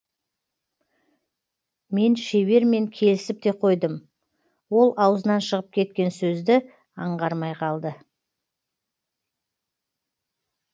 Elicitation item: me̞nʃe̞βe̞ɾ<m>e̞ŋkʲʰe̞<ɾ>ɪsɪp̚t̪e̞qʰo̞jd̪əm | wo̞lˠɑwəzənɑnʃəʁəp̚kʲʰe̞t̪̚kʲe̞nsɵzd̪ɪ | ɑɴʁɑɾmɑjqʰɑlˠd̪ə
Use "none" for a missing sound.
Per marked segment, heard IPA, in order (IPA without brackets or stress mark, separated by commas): m, l